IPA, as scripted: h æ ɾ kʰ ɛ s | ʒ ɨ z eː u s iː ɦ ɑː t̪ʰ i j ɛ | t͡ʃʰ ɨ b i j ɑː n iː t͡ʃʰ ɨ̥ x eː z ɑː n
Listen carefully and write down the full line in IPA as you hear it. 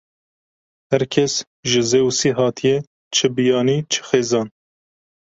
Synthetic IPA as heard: h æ ɾ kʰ ɛ s | ʒ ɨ z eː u s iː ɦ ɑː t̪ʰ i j ɛ | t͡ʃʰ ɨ b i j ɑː n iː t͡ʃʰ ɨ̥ x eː z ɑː n